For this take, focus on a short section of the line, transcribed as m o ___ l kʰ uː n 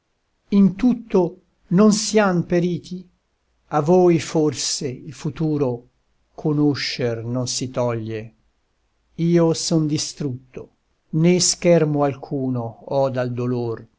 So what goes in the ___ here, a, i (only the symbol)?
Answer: a